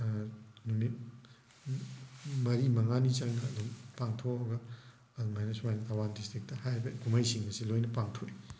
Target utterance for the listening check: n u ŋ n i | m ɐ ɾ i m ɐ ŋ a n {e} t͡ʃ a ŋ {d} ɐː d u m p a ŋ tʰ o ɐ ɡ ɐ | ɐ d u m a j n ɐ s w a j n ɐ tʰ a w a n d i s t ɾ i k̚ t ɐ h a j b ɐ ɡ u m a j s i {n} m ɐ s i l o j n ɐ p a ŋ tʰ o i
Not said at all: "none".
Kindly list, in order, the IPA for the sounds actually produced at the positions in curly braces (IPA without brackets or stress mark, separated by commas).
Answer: i, n, ŋ